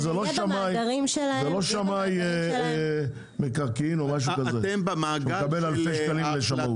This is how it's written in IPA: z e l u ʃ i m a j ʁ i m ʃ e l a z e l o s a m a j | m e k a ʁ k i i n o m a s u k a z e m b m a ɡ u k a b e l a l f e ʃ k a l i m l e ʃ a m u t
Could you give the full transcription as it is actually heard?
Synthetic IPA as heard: z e l o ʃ a m a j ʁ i m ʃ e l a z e l o ʃ a m a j | m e k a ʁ k i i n o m a ʃ u k a z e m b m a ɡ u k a b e l a l f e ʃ k a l i m l e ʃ a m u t